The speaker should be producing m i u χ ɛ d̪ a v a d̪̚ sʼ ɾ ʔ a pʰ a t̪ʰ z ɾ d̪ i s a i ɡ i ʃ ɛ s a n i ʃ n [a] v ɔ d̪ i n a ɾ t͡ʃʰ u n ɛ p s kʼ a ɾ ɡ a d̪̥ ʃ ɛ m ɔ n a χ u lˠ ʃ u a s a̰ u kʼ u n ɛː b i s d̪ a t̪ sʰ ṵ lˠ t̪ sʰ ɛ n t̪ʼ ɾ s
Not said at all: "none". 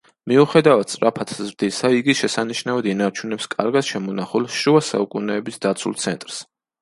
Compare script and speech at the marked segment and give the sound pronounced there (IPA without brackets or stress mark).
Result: a